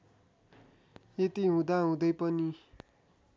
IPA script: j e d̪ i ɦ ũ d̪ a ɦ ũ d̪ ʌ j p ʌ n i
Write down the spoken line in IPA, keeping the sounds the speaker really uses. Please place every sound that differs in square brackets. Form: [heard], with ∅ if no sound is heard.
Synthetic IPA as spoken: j e [t̪] i ɦ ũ d̪ a ɦ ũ d̪ ʌ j p ʌ n i